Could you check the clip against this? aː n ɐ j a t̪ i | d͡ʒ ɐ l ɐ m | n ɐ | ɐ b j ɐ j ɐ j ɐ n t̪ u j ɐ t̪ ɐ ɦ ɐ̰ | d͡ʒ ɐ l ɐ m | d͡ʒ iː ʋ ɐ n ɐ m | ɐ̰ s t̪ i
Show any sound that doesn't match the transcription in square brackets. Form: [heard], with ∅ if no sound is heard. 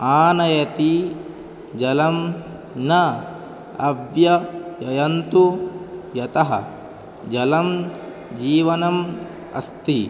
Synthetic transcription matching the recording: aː n ɐ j [ɐ] t̪ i | d͡ʒ ɐ l ɐ m | n ɐ | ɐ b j ɐ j ɐ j ɐ n t̪ u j ɐ t̪ ɐ ɦ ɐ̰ | d͡ʒ ɐ l ɐ m | d͡ʒ iː ʋ ɐ n ɐ m | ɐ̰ s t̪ i